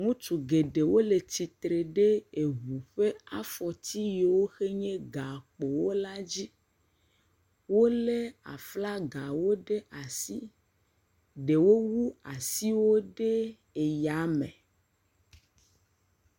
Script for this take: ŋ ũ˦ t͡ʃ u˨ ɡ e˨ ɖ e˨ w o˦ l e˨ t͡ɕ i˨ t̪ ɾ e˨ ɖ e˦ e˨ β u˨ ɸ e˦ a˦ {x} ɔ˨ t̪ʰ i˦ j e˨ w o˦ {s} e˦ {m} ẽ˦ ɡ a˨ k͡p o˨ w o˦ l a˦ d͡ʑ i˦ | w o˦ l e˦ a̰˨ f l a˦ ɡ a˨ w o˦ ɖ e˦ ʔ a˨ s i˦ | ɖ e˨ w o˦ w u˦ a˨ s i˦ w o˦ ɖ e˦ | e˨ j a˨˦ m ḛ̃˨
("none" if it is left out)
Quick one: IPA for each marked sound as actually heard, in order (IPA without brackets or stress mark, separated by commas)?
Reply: f, x, ɲ